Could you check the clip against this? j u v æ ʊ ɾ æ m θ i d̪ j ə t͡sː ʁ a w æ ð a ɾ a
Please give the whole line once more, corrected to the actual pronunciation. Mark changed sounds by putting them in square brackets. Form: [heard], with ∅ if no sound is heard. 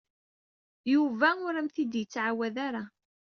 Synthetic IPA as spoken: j u v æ ʊ ɾ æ m θ i d̪ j ə t͡sː [ʕ] a w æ ð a ɾ a